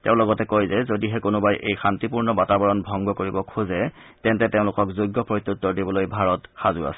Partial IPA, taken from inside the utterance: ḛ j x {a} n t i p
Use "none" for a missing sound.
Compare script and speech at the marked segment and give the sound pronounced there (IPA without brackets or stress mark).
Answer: a